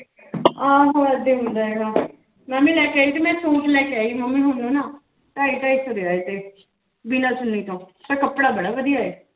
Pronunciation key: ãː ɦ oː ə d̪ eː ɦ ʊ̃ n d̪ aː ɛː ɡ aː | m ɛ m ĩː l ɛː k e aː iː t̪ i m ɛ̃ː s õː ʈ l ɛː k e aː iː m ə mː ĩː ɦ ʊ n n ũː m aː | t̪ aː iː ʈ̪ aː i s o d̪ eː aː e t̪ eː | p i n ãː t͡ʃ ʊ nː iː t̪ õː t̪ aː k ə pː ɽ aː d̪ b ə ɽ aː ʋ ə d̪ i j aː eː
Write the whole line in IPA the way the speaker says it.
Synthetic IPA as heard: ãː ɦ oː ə d̪ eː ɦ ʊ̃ n d̪ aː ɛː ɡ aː | m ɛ m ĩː l ɛː k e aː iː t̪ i m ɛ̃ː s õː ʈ l ɛː k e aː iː m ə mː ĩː ɦ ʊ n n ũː n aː | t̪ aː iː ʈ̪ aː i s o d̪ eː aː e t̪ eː | b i n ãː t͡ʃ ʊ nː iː t̪ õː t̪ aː k ə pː ɽ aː b ə ɽ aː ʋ ə d̪ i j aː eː